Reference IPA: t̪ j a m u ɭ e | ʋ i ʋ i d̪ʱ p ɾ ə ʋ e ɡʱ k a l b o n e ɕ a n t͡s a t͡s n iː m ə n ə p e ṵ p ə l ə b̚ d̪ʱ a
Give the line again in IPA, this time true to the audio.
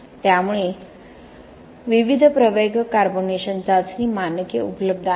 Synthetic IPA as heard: t̪ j a m u ɭ e | ʋ i ʋ i d̪ʱ p ɾ ə ʋ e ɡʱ k a ɾ b o n e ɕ ə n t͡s a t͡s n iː m a n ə k e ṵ p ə l ə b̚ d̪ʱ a